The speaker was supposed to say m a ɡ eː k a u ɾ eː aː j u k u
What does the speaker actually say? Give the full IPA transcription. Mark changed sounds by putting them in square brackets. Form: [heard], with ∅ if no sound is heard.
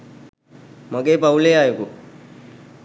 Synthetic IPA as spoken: m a ɡ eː [p] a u [l] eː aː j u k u